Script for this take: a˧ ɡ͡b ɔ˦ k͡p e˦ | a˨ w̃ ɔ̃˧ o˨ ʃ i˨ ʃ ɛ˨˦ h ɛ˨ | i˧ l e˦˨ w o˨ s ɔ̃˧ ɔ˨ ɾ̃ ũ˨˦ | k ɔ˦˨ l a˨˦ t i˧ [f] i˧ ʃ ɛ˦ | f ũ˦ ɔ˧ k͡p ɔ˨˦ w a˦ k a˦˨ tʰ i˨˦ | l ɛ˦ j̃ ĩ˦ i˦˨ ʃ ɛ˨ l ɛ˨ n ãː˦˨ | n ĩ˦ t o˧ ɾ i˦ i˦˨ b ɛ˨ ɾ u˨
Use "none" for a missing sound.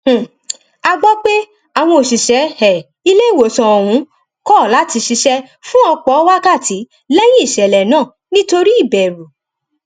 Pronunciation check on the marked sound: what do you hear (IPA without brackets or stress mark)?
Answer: ʃ